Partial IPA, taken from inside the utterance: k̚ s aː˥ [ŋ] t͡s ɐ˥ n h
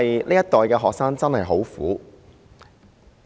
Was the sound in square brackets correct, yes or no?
yes